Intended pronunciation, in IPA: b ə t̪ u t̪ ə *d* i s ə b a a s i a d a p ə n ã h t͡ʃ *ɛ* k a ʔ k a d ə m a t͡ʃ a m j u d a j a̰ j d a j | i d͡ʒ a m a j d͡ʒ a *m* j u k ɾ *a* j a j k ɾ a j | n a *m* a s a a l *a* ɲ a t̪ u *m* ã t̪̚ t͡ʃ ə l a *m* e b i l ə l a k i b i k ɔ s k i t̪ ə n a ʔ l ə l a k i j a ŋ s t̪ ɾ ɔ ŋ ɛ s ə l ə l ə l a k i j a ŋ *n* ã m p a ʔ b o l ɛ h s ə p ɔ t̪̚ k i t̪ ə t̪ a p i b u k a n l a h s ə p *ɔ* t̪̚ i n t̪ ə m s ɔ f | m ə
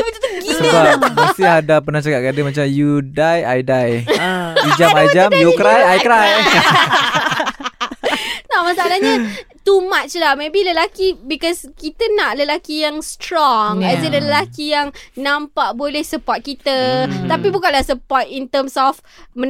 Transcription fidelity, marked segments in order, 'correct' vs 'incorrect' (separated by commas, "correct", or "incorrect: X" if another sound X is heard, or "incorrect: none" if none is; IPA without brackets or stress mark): incorrect: ɡ, incorrect: a, correct, correct, correct, correct, correct, correct, correct, correct